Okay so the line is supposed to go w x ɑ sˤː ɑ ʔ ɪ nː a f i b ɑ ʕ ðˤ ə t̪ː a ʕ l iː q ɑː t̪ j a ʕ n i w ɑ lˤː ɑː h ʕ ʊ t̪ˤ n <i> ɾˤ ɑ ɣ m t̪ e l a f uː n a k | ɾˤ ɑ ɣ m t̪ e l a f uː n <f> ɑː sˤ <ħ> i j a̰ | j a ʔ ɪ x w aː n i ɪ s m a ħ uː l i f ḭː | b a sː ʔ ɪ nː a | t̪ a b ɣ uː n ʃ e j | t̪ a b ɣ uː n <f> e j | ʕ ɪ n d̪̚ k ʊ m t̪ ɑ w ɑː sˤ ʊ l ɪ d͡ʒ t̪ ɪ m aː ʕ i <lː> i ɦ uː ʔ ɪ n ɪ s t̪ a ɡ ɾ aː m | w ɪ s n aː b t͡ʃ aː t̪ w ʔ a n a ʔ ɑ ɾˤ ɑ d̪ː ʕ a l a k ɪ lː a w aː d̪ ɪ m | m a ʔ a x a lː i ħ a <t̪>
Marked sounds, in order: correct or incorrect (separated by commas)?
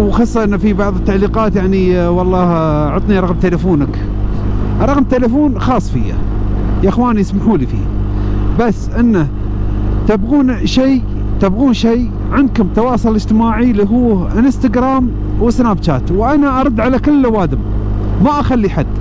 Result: correct, incorrect, incorrect, incorrect, incorrect, incorrect